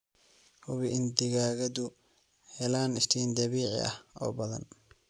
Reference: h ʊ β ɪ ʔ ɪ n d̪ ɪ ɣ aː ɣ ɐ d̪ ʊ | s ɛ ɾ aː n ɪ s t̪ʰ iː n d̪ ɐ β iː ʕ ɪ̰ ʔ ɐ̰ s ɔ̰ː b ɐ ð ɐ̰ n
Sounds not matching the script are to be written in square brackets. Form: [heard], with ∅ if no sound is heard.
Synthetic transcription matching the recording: h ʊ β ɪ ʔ ɪ n d̪ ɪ ɣ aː ɣ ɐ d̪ ʊ | [h] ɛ [l] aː n ɪ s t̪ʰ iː n d̪ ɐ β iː ʕ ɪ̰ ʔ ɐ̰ [h] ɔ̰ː b ɐ ð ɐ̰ n